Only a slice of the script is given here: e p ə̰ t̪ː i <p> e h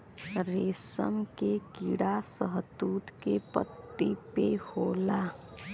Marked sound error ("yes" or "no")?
no